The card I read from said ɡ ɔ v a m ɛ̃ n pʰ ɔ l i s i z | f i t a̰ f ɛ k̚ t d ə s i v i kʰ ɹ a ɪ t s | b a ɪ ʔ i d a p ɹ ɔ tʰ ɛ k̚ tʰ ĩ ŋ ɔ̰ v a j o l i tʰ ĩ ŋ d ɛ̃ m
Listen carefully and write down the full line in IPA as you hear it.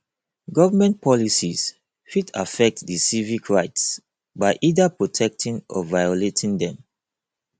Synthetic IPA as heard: ɡ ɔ v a m ɛ̃ n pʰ ɔ l i s i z | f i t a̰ f ɛ k̚ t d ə s i v i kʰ ɹ a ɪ t s | b a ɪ ʔ i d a p ɹ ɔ tʰ ɛ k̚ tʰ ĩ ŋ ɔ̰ v a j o l e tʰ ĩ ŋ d ɛ̃ m